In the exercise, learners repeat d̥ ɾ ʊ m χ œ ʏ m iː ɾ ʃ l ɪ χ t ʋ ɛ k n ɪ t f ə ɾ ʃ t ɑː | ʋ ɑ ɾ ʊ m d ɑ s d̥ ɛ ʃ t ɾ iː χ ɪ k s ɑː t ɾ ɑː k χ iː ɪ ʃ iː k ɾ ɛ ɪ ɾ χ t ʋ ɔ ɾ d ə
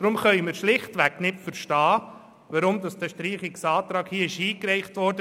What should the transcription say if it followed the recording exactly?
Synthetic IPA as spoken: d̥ ɾ ʊ m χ œ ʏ m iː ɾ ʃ l ɪ χ t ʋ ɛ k n ɪ t f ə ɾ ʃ t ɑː | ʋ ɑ ɾ ʊ m d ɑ s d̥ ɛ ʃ t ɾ iː χ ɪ k s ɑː t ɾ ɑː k h iː ɪ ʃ iː k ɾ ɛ ɪ χ t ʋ ɔ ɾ d ə